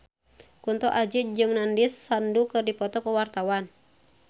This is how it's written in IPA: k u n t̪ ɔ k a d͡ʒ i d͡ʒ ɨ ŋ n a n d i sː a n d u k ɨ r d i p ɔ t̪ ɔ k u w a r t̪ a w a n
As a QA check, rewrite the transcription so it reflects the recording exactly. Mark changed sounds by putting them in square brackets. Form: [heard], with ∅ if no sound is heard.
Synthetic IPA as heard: k u n t̪ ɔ [ʔ] a d͡ʒ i d͡ʒ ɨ ŋ n a n d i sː a n d u k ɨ r d i p ɔ t̪ ɔ k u w a r t̪ a w a n